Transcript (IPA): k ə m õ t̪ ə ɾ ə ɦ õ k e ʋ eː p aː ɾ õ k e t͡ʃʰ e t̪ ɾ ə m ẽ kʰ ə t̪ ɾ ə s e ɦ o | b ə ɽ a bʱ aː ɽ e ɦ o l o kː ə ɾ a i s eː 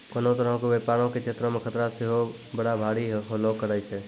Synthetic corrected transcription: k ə n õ t̪ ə ɾ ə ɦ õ k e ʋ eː p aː ɾ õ k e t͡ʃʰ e t̪ ɾ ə m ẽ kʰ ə t̪ ɾ a s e ɦ o | b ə ɽ a bʱ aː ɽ i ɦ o l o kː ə ɾ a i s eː